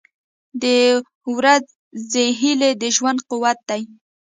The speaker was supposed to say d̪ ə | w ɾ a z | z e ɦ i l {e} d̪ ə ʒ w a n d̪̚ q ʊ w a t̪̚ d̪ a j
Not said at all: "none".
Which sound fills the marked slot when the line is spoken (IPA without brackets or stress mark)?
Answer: e